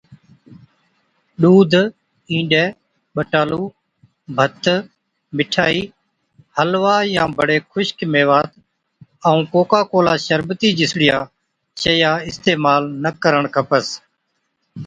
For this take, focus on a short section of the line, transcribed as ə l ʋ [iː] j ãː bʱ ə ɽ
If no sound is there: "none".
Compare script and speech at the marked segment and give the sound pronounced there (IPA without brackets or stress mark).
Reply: aː